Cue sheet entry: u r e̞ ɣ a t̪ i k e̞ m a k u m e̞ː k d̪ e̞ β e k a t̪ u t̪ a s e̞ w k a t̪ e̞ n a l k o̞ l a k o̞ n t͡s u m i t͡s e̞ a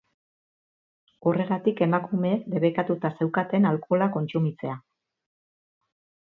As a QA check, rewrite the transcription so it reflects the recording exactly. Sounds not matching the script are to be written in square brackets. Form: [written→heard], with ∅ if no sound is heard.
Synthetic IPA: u r e̞ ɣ a t̪ i k e̞ m a k u m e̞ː k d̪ e̞ β e k a t̪ u t̪ a s e̞ w k a t̪ e̞ n a l k o̞ l a k o̞ n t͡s u m i t͡s e̞ a